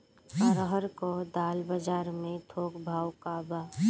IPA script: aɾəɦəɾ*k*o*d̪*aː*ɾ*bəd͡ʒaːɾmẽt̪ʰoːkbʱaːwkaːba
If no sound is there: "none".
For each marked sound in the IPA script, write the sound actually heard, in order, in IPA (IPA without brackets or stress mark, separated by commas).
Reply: k, d̪, l